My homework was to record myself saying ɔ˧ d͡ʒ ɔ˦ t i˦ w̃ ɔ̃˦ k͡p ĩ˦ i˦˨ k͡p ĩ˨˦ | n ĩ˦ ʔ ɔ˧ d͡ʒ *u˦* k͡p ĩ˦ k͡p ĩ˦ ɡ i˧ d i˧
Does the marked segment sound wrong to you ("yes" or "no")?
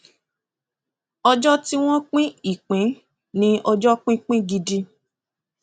yes